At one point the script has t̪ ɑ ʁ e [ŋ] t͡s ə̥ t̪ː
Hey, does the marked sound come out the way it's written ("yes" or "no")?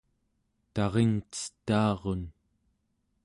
yes